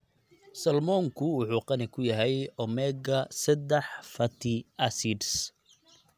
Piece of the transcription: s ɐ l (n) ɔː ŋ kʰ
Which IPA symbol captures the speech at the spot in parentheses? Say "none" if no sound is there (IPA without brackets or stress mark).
m